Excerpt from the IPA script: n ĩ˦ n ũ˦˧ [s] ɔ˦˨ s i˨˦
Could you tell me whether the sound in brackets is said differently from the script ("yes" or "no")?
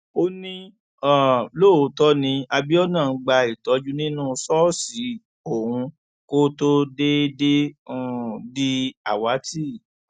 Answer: no